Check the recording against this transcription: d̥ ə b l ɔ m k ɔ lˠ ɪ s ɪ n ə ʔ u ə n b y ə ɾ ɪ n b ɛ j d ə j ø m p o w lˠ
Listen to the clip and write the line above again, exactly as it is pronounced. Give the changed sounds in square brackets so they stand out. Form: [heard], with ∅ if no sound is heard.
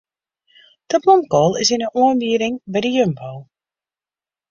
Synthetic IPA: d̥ ə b l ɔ m k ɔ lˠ ɪ s ɪ n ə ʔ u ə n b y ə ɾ ɪ [ŋ] b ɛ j d ə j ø m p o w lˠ